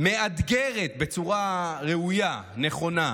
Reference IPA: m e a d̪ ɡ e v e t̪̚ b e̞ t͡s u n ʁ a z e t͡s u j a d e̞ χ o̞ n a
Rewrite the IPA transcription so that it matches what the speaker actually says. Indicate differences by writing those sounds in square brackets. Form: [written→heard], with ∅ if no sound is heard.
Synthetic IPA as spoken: m e a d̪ ɡ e [v→ʁ] e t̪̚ b e̞ t͡s u [n→∅] ʁ a [z→ʁ] e [t͡s→∅] u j a [d→n] e̞ χ o̞ n a

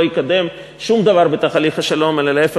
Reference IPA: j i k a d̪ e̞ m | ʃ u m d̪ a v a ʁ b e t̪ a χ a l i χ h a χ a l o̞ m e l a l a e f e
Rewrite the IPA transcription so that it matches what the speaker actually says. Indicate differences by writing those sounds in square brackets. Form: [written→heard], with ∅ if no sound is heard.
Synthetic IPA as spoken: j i k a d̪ e̞ m | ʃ u m d̪ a v a ʁ b e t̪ a χ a l i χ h a [χ→ʃ] a l o̞ m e l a l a e f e

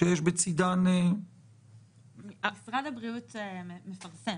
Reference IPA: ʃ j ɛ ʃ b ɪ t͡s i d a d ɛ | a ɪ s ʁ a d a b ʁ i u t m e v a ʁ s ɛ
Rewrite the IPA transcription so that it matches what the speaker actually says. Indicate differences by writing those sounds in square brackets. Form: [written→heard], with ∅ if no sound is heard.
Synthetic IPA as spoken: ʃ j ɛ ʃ b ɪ t͡s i d a [d→n] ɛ | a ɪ s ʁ a d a b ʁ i u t m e [v→f] a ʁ s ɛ

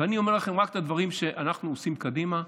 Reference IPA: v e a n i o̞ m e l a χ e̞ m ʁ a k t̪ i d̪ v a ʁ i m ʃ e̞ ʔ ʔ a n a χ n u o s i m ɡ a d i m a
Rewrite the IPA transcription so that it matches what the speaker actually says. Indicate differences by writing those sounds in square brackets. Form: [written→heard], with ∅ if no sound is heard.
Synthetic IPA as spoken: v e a n i o̞ m e l a χ e̞ m ʁ a k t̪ [i→a] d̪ v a ʁ i m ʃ e̞ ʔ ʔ a n a χ n u o s i m [ɡ→k] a d i m a

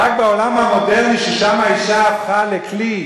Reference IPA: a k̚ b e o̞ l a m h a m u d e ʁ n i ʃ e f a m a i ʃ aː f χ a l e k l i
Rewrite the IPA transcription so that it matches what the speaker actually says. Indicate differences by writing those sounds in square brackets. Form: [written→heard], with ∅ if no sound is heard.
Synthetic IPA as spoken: a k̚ b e o̞ l a m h a m [u→o] d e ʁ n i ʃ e [f→ʃ] a m a i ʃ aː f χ a l e k l i

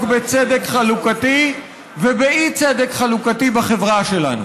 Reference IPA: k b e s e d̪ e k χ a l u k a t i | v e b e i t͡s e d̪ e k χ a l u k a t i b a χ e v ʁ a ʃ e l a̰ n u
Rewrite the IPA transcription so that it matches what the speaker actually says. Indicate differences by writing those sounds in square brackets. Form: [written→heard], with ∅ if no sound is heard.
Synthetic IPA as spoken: k b e [s→t͡s] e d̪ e k χ a l u k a t i | v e b e i t͡s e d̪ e k χ a l u k a t i b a χ e v ʁ a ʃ e l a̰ n u

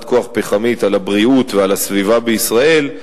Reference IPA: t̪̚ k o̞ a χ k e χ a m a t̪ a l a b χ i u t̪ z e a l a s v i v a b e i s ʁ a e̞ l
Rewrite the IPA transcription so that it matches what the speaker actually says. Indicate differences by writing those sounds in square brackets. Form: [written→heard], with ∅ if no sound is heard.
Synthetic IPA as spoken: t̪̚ k o̞ a χ [k→p] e χ a m [a→i] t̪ a l a b [χ→ʁ] i u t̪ [z→v] e a l a s v i v a b e i s ʁ a e̞ l

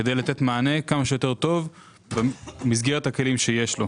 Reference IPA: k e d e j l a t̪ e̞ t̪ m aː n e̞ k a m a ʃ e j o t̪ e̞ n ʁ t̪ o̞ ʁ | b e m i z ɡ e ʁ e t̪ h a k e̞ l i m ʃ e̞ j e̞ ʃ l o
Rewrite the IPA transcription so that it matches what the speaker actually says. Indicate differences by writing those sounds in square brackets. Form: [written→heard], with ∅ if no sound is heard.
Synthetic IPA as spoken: k e d e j l a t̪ e̞ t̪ m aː n e̞ k a m a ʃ e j o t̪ e̞ [n→∅] ʁ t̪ o̞ [ʁ→v] | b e m i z ɡ e ʁ e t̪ h a k e̞ l i m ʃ e̞ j e̞ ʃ l o

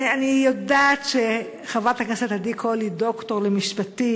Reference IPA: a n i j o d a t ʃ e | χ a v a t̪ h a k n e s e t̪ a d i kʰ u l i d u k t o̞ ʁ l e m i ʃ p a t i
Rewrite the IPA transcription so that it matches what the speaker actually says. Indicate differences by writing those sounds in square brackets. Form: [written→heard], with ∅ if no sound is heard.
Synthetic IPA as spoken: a n i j o d a t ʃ e | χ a v a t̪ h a k n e s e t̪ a d i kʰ [u→o] l i d [u→o] k t o̞ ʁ l e m i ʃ p a t i

